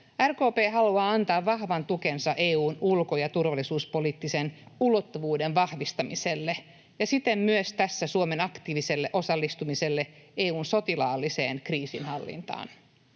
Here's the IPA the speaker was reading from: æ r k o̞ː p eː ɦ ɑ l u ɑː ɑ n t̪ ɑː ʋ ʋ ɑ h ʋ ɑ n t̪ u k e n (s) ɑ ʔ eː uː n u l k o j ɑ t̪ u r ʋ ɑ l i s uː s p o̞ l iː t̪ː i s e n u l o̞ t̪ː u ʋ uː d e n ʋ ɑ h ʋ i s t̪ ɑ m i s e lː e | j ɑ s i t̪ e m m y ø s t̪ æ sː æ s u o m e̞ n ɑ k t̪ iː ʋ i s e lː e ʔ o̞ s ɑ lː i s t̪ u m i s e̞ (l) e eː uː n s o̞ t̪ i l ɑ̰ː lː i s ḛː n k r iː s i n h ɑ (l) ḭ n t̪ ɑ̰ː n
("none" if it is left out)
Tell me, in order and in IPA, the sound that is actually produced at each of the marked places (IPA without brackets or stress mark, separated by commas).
s, lː, lː